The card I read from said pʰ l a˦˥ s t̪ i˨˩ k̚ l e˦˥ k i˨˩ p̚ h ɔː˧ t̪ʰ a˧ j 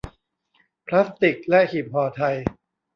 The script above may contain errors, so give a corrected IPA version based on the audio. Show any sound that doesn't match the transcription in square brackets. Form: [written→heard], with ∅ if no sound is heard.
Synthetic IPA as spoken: pʰ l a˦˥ s t̪ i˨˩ k̚ l [e˦˥→ɛ˦˥] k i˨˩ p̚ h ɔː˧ t̪ʰ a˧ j